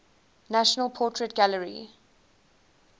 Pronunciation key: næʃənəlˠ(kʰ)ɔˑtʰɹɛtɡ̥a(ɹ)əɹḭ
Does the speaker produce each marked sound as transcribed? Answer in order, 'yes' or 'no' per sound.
no, no

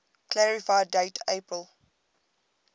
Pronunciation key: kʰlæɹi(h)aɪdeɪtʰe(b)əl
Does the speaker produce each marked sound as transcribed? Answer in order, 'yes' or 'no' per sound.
no, no

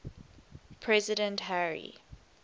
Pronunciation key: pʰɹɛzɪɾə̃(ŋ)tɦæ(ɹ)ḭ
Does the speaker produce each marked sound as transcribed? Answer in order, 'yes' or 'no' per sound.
no, yes

